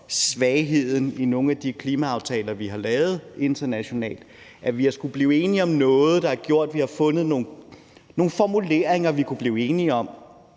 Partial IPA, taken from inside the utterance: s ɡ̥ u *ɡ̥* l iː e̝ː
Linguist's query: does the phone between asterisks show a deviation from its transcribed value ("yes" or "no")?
yes